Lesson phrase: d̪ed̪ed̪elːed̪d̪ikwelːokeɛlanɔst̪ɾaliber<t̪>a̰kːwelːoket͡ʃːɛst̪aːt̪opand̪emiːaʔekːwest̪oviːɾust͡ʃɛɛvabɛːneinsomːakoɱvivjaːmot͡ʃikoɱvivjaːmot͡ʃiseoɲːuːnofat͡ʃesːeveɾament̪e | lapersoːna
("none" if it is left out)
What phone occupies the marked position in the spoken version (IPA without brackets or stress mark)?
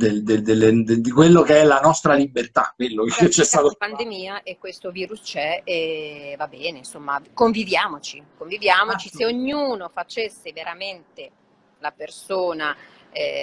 t̪